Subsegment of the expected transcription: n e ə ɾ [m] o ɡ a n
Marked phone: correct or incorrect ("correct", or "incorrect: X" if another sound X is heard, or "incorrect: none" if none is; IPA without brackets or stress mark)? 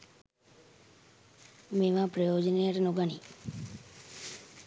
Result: incorrect: n